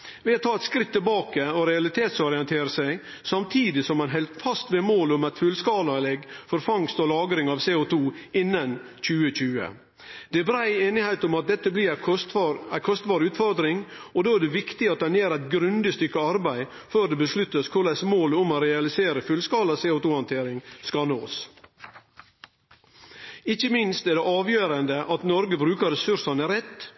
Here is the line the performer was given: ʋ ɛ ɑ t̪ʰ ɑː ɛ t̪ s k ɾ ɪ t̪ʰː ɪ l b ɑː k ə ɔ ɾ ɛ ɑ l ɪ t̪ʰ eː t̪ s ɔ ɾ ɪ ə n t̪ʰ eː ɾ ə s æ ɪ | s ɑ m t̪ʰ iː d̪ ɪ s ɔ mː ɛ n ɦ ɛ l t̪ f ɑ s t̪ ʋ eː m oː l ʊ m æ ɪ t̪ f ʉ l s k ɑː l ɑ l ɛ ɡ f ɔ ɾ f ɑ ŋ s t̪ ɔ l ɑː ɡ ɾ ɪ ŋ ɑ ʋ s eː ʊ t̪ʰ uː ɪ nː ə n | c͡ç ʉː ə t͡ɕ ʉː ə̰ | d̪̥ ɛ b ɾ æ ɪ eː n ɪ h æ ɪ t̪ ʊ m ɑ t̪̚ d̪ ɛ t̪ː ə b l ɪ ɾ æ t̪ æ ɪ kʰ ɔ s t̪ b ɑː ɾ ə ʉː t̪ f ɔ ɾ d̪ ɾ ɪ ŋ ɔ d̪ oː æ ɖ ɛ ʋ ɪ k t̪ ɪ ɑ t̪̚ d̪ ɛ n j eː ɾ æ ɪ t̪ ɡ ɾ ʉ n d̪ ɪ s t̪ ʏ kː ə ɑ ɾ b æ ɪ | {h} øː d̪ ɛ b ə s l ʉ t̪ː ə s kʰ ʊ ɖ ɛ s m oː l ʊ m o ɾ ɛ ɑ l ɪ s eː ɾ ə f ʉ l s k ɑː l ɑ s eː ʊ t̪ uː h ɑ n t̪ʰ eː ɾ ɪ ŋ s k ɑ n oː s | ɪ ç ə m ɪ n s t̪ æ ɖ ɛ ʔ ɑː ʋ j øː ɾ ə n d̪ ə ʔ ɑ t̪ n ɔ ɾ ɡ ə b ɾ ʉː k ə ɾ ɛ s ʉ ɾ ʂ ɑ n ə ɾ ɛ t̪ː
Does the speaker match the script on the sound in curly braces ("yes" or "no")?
no